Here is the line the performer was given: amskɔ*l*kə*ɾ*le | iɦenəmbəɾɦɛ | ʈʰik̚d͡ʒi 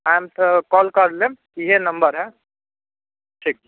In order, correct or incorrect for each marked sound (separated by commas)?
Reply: correct, correct